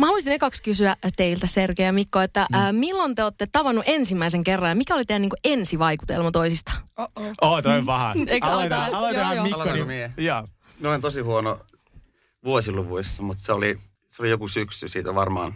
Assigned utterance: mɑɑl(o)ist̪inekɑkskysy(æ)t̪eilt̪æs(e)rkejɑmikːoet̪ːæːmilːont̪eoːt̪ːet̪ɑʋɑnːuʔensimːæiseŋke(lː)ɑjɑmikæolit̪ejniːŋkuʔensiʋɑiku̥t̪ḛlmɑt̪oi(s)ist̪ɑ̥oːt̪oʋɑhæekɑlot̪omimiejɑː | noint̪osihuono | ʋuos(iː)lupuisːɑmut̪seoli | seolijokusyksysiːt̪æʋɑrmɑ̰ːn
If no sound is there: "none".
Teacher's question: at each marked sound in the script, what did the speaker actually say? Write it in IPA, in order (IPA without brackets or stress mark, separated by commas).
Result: u, æ, e, rː, s, i